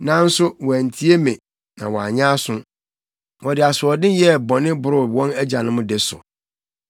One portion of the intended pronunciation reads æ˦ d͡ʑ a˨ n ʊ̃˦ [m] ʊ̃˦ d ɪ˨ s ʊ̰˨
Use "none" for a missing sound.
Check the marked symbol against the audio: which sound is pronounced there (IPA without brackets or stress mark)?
m